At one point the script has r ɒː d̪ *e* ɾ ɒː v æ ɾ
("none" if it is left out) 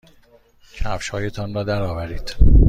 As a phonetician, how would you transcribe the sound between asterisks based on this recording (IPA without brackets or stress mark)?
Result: æ